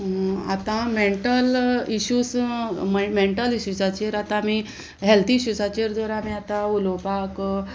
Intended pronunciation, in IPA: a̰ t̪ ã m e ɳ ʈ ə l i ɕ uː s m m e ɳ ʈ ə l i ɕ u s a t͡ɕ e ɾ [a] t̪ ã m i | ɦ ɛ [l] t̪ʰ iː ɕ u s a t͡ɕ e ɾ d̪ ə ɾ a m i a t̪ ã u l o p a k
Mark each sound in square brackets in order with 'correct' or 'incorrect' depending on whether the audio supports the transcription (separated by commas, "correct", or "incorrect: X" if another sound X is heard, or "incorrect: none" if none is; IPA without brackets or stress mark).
correct, correct